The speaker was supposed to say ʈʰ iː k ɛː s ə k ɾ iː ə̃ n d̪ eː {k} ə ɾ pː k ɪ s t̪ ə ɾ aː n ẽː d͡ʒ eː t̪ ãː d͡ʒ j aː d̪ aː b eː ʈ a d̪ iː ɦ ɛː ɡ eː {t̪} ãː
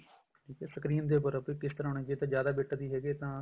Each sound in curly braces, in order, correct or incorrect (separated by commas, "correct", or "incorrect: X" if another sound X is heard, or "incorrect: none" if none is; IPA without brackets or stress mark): incorrect: p, correct